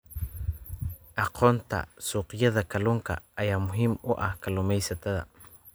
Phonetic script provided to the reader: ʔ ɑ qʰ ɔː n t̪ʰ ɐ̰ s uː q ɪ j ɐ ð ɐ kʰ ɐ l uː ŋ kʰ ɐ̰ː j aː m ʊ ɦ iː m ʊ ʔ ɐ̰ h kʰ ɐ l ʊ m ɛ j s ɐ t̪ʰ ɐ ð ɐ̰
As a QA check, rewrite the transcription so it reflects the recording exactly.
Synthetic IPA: ʔ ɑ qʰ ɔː n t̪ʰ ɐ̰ s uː q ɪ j ɐ ð ɐ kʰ ɐ l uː ŋ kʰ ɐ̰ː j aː m ʊ ɦ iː m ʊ ʔ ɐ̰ h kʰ ɐ l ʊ m ɛ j s ɐ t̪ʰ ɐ ð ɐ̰